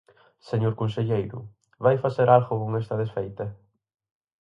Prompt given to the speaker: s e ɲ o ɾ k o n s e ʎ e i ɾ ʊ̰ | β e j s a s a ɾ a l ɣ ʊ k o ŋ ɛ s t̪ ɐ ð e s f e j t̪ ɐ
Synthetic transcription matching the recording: s e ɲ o ɾ k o n s e ʎ e j ɾ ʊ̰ | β a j f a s e ɾ a l ɣ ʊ k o ŋ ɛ s t̪ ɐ ð e s f e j t̪ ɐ